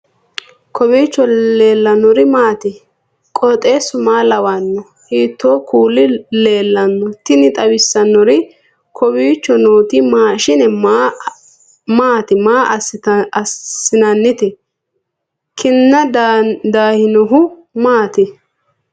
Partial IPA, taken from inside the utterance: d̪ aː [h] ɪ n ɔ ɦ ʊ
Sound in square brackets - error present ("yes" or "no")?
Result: no